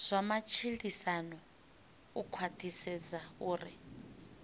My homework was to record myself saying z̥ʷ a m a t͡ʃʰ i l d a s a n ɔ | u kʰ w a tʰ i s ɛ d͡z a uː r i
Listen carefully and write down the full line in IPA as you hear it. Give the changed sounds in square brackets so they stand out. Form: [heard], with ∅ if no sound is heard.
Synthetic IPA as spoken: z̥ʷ a m a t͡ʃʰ i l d [i] s a n ɔ | u kʰ w a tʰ i s ɛ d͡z a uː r i